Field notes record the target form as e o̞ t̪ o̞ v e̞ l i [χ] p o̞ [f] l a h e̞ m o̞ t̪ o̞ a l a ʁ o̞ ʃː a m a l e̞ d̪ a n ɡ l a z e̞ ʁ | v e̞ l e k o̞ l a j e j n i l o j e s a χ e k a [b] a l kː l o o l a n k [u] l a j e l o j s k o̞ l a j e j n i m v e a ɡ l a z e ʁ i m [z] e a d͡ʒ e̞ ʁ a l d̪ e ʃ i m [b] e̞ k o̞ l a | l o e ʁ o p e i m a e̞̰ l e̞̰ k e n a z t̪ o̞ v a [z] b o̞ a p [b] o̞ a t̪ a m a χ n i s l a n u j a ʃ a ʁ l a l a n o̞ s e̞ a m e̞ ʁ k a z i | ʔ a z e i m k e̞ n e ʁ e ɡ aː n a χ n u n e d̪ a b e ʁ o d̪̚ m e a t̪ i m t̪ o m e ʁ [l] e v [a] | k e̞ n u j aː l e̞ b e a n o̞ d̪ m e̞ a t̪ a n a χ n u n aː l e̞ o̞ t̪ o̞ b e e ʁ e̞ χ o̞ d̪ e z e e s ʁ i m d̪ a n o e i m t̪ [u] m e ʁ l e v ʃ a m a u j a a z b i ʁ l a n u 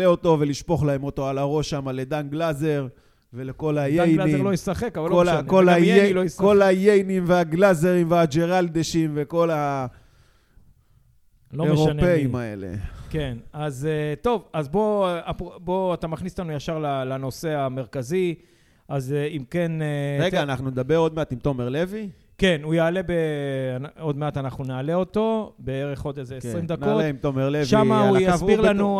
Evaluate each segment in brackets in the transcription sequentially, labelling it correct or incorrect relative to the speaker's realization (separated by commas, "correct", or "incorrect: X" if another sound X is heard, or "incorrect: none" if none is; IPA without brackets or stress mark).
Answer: incorrect: ʃ, incorrect: χ, incorrect: v, incorrect: o, incorrect: v, incorrect: v, correct, correct, correct, incorrect: i, incorrect: o